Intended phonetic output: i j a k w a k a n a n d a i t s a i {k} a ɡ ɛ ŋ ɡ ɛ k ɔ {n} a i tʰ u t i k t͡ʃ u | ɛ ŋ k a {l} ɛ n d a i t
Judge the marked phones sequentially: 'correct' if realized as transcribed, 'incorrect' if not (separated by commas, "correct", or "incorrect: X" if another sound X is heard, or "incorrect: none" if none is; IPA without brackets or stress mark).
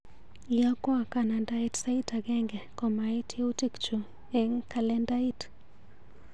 incorrect: t, incorrect: m, correct